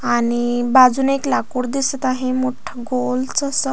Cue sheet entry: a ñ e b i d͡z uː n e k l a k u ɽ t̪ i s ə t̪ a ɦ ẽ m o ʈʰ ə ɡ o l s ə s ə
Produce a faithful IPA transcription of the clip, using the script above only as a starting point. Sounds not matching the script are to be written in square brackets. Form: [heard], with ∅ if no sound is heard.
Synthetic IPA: a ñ [i] b [a] d͡z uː n e k l a k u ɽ [d̪] i s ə t̪ a ɦ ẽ m o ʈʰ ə ɡ o l [t͡s] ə s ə